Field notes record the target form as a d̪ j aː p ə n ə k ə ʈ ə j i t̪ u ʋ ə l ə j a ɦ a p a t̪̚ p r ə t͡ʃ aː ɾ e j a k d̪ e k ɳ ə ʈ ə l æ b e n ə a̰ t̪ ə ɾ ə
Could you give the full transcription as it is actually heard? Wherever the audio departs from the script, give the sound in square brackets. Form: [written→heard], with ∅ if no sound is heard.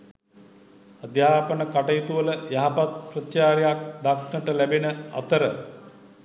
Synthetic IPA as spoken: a d̪ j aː p ə n ə k [ə→a] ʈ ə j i t̪ u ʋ ə l ə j a ɦ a p a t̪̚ p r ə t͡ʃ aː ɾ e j a k d̪ [e→a] k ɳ ə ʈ ə l æ b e n ə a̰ t̪ ə ɾ ə